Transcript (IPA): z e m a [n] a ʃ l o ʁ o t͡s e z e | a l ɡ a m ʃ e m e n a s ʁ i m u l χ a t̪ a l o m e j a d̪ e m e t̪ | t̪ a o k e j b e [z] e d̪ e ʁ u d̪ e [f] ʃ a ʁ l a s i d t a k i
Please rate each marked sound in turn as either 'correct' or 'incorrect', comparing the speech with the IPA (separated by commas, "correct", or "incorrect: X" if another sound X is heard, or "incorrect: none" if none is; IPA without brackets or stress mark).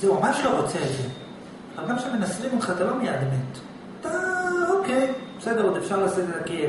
incorrect: m, incorrect: s, correct